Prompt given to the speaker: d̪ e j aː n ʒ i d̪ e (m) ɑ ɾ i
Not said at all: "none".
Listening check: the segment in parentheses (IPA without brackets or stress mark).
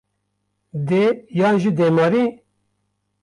m